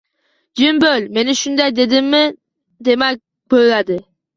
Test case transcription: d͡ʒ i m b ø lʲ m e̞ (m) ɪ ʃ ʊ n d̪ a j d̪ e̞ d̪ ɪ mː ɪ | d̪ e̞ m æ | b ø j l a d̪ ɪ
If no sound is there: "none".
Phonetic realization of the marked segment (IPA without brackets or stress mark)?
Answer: n